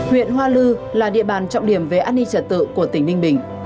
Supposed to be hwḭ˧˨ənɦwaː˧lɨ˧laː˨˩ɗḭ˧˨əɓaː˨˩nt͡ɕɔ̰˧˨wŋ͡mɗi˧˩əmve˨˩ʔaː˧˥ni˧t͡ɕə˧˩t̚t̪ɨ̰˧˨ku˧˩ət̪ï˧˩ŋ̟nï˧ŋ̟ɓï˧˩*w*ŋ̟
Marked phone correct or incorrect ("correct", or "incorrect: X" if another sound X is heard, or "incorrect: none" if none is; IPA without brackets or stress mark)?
incorrect: none